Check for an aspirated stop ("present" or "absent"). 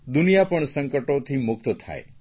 present